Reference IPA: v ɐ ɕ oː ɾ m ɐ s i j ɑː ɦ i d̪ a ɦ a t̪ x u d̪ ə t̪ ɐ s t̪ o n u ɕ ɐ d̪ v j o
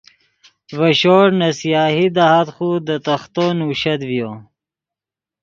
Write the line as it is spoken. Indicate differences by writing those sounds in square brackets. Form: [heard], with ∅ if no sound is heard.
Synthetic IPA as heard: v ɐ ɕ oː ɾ [n] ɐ s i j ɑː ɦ i d̪ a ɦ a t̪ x u d̪ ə t̪ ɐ [x] t̪ o n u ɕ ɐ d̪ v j o